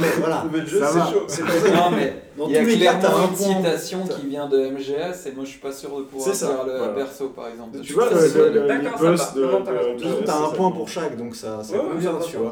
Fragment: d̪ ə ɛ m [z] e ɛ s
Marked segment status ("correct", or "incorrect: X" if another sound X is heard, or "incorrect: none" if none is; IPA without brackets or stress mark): incorrect: ʒ